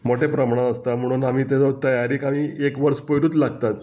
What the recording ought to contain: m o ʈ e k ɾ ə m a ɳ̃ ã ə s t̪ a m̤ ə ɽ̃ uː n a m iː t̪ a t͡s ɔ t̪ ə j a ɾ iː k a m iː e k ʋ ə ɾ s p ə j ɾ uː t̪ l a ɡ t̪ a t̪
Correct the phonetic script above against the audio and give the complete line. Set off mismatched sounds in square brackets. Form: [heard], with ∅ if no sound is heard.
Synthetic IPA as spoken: m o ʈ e [p] ɾ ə m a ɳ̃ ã ə s t̪ a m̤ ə ɽ̃ uː n a m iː t̪ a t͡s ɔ t̪ ə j a ɾ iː k a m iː e k ʋ ə ɾ s p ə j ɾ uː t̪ l a ɡ t̪ a t̪